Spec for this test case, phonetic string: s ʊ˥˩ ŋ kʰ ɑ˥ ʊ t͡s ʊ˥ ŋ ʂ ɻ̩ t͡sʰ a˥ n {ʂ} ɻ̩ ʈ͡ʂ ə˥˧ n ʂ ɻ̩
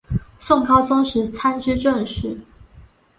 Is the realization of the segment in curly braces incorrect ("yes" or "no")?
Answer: yes